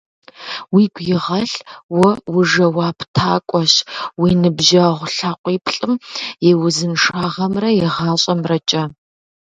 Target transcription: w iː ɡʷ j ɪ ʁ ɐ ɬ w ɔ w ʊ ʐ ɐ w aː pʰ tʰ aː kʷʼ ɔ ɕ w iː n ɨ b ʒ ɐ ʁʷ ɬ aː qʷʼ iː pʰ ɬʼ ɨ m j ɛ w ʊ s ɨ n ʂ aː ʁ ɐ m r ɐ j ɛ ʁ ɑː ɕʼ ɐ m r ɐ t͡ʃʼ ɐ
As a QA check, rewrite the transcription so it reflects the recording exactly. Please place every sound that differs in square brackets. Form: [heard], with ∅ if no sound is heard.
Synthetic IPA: w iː ɡʷ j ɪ ʁ ɐ ɬ w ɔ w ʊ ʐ ɐ w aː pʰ tʰ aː kʷʼ ɔ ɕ w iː n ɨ b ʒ ɐ ʁʷ ɬ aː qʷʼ iː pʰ ɬʼ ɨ m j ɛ w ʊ [z] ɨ n ʂ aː ʁ ɐ m r ɐ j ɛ ʁ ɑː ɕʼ ɐ m r ɐ t͡ʃʼ ɐ